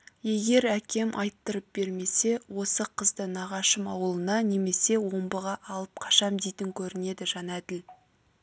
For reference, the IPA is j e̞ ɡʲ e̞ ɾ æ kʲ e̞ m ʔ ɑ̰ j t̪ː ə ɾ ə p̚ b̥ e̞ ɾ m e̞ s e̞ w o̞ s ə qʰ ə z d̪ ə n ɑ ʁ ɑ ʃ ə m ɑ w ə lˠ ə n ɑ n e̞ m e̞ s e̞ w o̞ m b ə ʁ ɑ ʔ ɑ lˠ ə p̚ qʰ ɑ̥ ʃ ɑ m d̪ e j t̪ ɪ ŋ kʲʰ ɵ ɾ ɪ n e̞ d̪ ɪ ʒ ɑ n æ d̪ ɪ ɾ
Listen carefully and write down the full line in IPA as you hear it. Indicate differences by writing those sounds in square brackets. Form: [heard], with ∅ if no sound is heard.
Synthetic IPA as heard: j e̞ ɡʲ e̞ ɾ æ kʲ e̞ m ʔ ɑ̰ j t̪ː ə ɾ ə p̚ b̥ e̞ ɾ m e̞ s e̞ w o̞ s ə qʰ ə z d̪ ə n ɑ ʁ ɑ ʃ ə m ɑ w ə lˠ ə n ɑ n e̞ m e̞ s e̞ w o̞ m b ə ʁ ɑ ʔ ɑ lˠ ə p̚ qʰ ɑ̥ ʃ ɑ m d̪ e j t̪ ɪ ŋ kʲʰ ɵ ɾ ɪ n e̞ d̪ ɪ ʒ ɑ n æ d̪ ɪ [l]